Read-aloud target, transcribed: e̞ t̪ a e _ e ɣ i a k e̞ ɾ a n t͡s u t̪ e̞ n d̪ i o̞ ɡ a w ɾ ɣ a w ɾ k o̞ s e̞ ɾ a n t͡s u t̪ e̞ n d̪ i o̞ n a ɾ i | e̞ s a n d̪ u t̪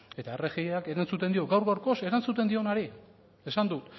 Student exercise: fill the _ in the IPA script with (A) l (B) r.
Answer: B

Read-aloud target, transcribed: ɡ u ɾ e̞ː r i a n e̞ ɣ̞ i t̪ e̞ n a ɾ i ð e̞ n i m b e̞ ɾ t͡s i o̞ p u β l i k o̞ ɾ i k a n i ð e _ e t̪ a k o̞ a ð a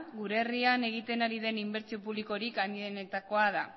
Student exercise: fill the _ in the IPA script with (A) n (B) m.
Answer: A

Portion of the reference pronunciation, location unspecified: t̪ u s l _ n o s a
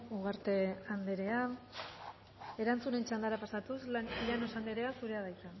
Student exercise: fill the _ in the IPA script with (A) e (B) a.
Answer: B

